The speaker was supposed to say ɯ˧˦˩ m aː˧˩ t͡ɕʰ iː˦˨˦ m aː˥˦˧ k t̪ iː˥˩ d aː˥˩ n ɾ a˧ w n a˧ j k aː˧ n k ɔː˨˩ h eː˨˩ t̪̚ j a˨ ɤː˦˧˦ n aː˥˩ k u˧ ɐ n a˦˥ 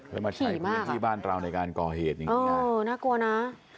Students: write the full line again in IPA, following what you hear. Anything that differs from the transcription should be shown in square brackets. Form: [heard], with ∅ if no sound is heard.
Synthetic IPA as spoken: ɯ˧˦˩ m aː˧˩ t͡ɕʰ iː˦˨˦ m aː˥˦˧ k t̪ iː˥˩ [b] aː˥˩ n ɾ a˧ w n a˧ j k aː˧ n k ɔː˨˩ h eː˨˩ t̪̚ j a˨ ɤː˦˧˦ n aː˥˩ k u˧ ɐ n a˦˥